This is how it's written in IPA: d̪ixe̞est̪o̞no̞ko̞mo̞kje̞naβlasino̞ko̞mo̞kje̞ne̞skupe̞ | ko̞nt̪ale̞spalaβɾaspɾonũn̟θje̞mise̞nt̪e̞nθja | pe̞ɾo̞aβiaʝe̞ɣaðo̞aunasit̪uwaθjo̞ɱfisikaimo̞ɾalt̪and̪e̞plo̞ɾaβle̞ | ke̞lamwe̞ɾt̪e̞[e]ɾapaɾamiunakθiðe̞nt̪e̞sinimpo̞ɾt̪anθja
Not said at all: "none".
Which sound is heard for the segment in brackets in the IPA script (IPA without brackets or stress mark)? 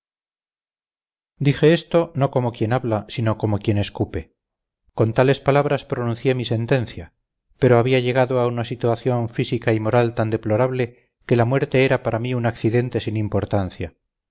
e